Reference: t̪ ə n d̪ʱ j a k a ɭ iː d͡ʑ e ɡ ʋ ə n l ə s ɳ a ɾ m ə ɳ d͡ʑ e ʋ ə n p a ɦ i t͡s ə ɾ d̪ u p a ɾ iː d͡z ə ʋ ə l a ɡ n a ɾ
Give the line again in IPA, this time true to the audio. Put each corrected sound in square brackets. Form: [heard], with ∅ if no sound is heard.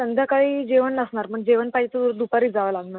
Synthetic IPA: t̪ ə n d̪ʱ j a k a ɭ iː d͡ʑ e [∅] ʋ ə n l ə s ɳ a ɾ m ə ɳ d͡ʑ e ʋ ə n p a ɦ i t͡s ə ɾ d̪ u p a ɾ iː d͡z [a] ʋ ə l a ɡ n a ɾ